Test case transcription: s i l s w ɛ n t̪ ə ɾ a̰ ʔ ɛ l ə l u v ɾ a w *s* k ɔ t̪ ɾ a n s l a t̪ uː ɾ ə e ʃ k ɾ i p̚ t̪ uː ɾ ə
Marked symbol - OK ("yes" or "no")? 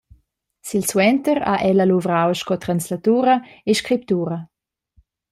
no